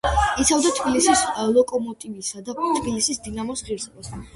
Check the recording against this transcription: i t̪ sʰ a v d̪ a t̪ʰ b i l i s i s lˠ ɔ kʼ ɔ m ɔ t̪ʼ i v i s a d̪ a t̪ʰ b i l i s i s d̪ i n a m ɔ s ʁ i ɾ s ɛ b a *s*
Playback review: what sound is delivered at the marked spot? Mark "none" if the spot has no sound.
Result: s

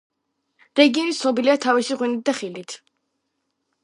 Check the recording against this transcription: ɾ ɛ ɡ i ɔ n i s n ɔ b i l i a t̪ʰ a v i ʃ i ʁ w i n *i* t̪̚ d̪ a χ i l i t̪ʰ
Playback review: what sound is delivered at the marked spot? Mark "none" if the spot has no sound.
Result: i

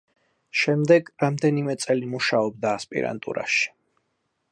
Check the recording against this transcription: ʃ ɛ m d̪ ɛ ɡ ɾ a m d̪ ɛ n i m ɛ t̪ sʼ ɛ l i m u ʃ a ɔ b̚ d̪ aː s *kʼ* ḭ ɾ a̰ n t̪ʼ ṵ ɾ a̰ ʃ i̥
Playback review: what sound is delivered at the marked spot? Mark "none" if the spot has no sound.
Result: pʼ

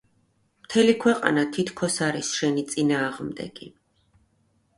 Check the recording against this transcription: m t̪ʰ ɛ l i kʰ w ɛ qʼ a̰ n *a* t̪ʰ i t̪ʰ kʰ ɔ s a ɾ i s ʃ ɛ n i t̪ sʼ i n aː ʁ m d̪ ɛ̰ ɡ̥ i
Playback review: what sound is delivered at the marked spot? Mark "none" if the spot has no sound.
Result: a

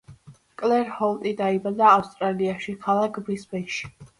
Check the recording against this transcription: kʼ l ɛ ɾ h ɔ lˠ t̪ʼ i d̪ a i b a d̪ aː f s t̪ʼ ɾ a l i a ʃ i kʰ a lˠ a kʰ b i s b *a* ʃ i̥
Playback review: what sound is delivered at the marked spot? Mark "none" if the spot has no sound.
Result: ɛ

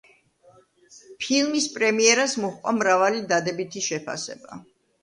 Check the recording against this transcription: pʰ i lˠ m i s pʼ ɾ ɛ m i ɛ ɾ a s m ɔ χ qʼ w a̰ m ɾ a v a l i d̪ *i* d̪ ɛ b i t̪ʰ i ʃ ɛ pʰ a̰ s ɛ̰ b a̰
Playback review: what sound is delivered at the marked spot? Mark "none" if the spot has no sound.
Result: a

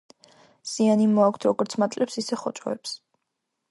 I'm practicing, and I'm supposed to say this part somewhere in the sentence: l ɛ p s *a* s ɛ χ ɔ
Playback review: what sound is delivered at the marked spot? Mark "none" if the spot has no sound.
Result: i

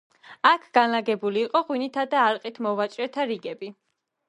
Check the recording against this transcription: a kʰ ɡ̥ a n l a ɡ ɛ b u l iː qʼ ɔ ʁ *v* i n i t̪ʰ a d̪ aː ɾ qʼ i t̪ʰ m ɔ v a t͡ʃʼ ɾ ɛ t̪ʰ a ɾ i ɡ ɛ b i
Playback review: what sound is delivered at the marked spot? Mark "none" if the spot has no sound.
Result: w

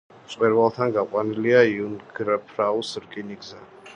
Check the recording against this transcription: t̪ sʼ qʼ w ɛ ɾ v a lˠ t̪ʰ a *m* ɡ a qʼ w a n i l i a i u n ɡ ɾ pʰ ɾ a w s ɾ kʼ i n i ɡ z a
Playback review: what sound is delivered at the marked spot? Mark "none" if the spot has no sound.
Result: n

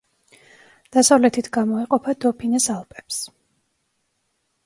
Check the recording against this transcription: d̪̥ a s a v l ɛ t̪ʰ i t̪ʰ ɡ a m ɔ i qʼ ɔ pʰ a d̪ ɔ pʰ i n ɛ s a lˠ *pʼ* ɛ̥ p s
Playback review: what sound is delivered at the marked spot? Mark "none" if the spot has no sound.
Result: pʼ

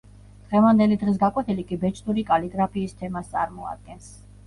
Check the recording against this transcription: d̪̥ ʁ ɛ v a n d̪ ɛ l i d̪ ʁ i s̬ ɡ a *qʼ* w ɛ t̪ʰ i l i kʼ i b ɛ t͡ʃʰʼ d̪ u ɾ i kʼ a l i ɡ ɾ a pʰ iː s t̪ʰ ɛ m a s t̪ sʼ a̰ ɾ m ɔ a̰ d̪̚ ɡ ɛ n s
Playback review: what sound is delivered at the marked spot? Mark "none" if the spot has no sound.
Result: kʼ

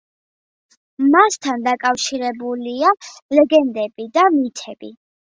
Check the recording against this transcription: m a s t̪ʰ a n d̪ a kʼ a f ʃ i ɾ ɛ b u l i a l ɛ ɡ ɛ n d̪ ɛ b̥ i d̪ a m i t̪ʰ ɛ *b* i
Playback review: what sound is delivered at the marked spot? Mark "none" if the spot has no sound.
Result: b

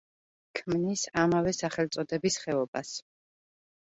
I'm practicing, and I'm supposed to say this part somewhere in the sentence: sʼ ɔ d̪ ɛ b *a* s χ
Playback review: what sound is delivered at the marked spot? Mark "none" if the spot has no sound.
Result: i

